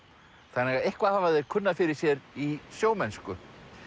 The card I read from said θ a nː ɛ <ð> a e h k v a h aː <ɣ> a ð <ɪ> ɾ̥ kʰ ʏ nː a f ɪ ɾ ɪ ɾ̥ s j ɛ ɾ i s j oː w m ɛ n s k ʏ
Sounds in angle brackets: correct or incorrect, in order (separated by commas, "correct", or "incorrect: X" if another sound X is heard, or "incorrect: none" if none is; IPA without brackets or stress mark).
incorrect: ɣ, incorrect: v, correct